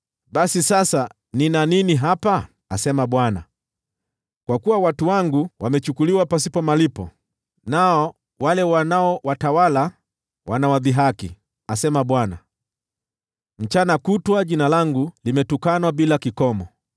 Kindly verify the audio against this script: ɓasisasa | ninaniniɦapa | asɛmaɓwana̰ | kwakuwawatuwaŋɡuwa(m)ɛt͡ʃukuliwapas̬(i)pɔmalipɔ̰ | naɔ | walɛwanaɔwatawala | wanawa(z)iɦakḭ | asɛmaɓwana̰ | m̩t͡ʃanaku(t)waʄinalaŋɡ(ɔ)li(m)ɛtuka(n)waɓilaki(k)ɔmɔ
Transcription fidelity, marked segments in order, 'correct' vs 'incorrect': correct, correct, incorrect: ð, correct, incorrect: u, correct, correct, correct

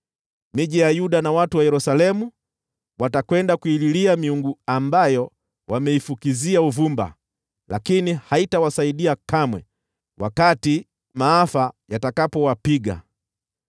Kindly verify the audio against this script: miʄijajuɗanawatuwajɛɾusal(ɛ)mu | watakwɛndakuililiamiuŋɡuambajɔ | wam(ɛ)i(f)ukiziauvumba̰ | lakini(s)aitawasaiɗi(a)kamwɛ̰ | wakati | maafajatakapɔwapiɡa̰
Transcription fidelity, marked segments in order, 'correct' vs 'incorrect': correct, correct, correct, incorrect: h, correct

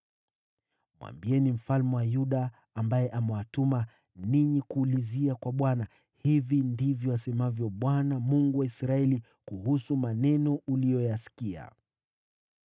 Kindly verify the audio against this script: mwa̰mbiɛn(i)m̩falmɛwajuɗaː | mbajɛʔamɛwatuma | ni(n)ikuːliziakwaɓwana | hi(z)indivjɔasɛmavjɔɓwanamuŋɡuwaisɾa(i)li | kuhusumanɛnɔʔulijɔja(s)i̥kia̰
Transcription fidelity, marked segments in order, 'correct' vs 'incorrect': correct, incorrect: ɲ, incorrect: v, incorrect: ɛ, correct

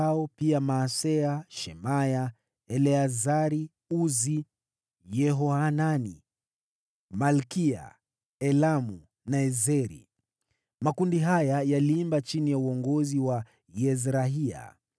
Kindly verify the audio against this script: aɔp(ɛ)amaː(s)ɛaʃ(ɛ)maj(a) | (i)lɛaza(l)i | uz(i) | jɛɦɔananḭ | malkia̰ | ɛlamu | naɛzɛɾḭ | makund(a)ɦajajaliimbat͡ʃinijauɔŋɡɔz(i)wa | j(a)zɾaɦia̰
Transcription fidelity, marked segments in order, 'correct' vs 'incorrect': incorrect: i, correct, correct, correct, incorrect: ɛ, incorrect: ɾ, correct, incorrect: i, correct, incorrect: ɛ

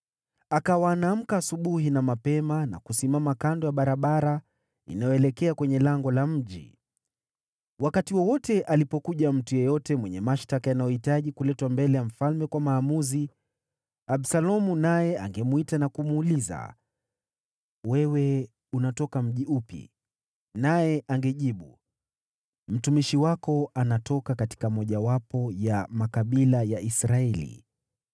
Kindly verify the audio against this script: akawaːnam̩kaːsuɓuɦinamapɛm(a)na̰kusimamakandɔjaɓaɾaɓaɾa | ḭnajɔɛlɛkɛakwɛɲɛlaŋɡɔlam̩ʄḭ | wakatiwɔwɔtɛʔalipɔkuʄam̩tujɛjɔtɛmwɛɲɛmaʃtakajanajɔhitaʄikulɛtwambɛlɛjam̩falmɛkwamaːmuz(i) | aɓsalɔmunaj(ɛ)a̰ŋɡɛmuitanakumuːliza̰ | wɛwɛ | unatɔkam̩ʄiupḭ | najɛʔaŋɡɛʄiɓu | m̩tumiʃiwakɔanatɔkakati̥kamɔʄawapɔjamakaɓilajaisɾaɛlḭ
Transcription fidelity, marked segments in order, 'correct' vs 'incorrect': correct, correct, correct

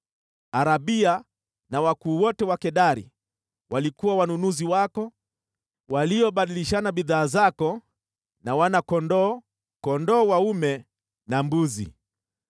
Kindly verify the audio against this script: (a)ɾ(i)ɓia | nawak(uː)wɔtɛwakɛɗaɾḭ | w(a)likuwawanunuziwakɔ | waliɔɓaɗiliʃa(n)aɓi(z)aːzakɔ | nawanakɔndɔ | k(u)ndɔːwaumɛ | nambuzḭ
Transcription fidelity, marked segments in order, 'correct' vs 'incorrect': correct, incorrect: a, correct, correct, correct, incorrect: ð, incorrect: ɔ

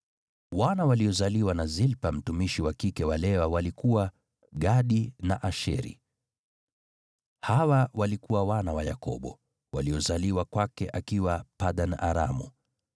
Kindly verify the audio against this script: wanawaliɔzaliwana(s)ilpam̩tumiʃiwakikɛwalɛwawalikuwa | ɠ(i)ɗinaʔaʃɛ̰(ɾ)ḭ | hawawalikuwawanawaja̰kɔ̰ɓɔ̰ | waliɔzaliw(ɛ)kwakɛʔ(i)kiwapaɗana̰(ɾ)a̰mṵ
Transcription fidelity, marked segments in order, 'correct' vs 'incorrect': incorrect: z, incorrect: a, correct, incorrect: a, incorrect: a, correct

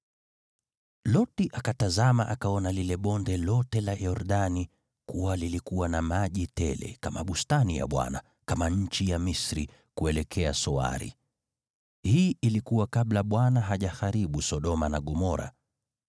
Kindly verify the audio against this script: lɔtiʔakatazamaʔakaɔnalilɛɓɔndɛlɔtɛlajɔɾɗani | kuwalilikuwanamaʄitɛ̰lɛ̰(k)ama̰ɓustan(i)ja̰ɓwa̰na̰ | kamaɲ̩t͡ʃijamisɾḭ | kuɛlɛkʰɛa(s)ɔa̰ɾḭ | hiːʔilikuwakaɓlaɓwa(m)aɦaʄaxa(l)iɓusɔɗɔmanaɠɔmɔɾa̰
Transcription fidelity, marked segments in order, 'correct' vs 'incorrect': correct, correct, correct, incorrect: n, incorrect: ɾ

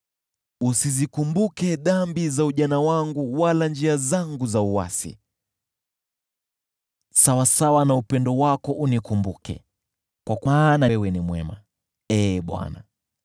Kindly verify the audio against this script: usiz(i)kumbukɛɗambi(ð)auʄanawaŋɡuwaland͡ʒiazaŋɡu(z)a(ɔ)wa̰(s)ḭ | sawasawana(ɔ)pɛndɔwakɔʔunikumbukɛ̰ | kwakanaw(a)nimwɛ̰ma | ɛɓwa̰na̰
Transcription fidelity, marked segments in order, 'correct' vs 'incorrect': correct, incorrect: z, correct, incorrect: u, correct, incorrect: u, incorrect: ɛ

